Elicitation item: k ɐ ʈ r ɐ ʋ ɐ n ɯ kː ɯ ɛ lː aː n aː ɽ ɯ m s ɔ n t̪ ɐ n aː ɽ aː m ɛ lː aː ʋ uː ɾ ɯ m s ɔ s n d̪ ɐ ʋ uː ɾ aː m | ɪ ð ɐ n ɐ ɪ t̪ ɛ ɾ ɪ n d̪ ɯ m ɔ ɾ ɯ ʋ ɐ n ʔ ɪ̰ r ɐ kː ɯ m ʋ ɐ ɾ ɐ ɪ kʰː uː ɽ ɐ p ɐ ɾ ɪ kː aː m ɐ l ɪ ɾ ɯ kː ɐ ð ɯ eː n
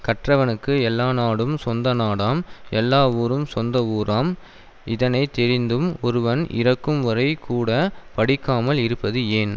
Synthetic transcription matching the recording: k ɐ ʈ r ɐ ʋ ɐ n ɯ kː ɯ ɛ lː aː n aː ɽ ɯ m s ɔ n d̪ ɐ n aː ɽ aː m ɛ lː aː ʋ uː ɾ ɯ m s ɔ n d̪ ɐ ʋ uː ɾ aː m | ɪ ð ɐ n ɐ ɪ t̪ ɛ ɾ ɪ n d̪ ɯ m ɔ ɾ ɯ ʋ ɐ n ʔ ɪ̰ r ɐ kː ɯ m ʋ ɐ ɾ ɐ ɪ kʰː uː ɽ ɐ p ɐ ɽ ɪ kː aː m ɐ l ɪ ɾ ɯ pː ɐ ð ɯ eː n